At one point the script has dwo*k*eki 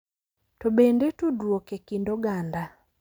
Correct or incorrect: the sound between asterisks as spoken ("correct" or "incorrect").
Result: correct